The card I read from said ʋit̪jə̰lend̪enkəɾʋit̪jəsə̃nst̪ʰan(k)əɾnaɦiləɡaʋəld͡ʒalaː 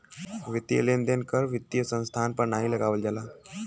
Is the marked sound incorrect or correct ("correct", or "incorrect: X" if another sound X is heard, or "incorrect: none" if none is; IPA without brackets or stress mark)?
incorrect: p